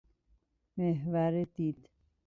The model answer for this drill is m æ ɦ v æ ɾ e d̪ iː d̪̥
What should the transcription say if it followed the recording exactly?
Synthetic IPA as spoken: m e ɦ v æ ɾ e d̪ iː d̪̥